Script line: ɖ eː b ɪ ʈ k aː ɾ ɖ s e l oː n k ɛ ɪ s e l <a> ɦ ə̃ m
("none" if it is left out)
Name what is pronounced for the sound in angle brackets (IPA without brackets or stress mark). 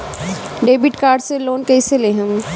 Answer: e